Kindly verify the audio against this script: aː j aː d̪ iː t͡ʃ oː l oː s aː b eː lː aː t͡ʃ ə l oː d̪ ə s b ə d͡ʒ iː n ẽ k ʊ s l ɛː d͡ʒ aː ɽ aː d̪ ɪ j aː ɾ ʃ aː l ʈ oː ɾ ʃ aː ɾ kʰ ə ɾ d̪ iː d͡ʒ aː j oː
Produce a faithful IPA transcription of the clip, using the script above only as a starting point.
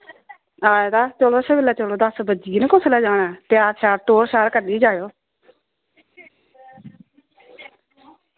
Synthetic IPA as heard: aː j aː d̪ aː t͡ʃ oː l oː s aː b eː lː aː t͡ʃ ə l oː d̪ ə s b ə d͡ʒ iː n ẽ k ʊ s l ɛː d͡ʒ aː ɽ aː t̪ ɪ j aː ɾ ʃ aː ɾ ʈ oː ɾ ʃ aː ɾ k ə ɾ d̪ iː d͡ʒ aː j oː